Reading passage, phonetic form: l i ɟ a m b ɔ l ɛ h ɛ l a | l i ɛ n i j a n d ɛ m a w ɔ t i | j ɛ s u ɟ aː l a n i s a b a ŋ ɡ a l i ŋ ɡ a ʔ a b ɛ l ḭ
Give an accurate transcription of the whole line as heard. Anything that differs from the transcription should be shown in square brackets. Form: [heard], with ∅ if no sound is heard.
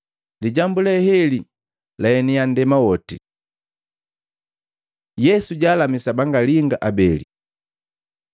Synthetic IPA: l i ɟ a m b [u] l ɛ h ɛ l [i] | l [a] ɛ n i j a n d ɛ m a w ɔ t i | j ɛ s u ɟ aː l a [m] i s a b a ŋ ɡ a l i ŋ ɡ a ʔ a b ɛ l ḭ